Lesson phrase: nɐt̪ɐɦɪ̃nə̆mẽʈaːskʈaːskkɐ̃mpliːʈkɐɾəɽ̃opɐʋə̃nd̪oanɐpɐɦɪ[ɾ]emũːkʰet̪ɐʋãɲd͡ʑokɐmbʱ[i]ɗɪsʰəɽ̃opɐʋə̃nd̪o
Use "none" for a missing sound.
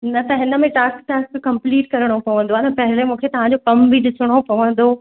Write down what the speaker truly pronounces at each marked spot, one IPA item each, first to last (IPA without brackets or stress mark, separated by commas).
l, i